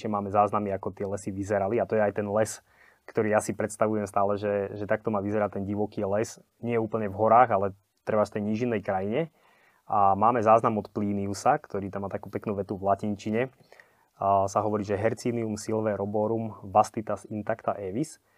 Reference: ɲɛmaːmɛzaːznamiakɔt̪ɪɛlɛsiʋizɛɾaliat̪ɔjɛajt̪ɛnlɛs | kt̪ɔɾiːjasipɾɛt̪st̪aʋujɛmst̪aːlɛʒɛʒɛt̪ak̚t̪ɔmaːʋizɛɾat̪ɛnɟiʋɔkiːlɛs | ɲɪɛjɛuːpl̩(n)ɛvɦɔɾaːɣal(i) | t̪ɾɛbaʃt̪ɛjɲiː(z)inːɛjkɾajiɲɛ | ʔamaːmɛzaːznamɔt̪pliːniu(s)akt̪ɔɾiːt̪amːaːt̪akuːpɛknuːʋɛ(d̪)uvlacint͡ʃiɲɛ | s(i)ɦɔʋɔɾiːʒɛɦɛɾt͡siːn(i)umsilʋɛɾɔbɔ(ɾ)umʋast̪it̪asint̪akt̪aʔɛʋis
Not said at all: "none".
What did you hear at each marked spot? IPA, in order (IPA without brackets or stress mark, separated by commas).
ɲ, ɛ, ʒ, s, t̪, a, i, ɾ